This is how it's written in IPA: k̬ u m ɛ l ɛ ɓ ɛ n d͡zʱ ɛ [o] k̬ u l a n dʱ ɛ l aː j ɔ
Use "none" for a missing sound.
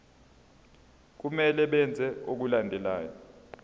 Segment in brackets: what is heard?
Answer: o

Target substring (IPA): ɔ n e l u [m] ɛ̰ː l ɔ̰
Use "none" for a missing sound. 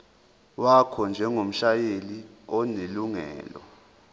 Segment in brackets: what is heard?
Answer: ŋ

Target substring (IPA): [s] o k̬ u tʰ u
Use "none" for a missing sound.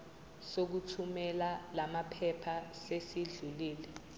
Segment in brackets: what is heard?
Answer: s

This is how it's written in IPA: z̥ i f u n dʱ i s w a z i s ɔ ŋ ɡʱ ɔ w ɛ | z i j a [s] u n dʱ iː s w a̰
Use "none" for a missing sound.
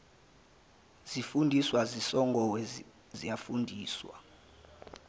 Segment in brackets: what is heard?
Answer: f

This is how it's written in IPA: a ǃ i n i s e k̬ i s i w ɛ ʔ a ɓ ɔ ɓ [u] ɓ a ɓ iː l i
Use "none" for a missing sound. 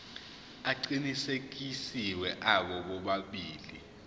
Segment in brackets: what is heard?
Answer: ɔ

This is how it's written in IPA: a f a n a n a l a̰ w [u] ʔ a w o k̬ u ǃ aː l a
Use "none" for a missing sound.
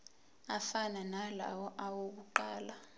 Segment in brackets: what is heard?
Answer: ɔ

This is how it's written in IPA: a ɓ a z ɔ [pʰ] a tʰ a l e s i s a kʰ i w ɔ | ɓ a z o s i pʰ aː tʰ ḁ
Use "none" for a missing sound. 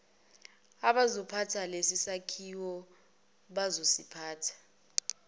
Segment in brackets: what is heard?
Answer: pʰ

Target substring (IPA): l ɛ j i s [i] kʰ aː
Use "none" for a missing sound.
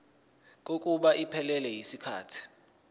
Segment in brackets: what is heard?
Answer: i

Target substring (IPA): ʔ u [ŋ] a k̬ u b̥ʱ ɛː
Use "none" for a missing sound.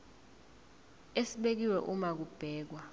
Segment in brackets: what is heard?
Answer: m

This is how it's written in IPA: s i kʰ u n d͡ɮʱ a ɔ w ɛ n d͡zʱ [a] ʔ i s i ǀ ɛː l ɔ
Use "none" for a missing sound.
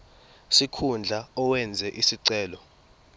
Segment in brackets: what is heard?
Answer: ɛ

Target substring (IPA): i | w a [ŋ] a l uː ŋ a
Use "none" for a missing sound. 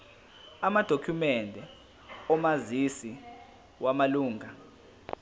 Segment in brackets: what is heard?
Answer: m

